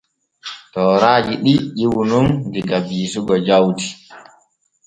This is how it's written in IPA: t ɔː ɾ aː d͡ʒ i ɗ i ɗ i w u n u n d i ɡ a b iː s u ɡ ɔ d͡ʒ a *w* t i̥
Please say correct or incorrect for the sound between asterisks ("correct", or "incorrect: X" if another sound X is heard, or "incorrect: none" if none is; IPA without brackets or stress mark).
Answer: correct